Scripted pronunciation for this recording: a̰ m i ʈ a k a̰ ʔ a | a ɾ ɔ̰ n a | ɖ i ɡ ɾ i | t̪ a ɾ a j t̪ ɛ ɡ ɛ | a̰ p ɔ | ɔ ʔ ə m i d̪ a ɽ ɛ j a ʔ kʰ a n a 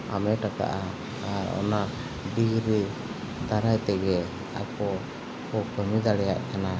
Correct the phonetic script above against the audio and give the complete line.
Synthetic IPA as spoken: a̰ m ɛ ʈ a k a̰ ʔ a | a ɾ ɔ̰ n a | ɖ i ɡ ɾ i | d̪ a ɾ a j t̪ ɛ ɡ ɛ | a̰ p ɔ | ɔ k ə m i d̪ a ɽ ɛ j a ʔ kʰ a n a